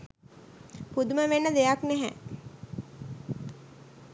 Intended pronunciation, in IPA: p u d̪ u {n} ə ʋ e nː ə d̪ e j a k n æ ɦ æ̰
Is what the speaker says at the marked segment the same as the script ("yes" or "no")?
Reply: no